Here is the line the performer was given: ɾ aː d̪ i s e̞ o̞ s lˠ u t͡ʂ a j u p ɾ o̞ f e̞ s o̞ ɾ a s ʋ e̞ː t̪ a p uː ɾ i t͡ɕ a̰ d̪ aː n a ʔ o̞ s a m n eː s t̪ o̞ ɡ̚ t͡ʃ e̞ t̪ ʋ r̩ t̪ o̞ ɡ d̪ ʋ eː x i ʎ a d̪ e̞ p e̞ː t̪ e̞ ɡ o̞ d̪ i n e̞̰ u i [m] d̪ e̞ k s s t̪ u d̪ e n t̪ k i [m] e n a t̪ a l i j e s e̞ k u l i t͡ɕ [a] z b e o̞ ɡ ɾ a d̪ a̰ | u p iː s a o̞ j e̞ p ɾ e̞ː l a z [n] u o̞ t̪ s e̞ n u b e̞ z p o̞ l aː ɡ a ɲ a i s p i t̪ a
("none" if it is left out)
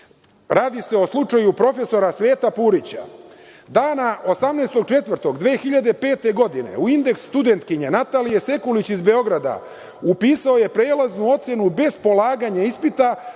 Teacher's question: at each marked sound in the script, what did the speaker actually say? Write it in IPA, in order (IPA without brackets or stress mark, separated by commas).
n, ɲ, i, n